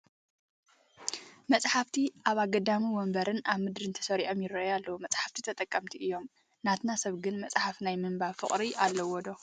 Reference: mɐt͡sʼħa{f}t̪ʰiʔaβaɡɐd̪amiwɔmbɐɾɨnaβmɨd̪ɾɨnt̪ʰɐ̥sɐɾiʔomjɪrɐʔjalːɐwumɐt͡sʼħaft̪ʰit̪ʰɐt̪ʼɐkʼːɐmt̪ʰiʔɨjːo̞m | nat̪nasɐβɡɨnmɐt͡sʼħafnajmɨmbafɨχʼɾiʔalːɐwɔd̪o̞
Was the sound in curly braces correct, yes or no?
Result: yes